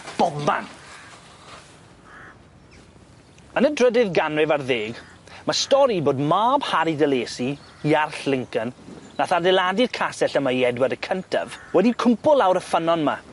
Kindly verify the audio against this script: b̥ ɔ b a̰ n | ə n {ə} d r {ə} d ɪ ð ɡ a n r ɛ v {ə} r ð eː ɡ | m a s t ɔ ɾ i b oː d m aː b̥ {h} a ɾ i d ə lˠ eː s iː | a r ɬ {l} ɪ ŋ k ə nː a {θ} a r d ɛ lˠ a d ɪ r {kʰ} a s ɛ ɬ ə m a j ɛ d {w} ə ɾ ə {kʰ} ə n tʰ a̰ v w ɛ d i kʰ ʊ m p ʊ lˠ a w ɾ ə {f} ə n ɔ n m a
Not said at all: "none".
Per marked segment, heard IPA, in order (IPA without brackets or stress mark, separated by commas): ə, ə, a, h, l, θ, kʰ, w, kʰ, f